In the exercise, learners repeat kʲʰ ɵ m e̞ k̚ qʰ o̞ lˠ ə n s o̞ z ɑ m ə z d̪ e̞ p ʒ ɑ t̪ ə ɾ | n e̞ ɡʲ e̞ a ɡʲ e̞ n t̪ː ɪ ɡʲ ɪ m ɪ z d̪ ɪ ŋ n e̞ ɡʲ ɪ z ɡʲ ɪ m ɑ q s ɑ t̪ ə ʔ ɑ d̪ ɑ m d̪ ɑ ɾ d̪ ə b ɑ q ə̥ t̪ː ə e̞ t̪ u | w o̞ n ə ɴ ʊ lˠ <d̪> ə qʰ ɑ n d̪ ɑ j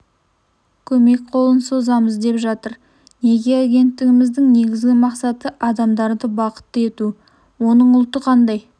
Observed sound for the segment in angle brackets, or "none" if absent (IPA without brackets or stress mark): t̪